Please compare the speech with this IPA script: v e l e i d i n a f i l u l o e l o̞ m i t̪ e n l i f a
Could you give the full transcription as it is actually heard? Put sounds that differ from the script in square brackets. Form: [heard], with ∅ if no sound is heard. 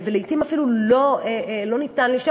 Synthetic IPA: v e l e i [t] i [m] a f i l u l o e l o̞ [n] i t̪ [a] n l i [ʃ] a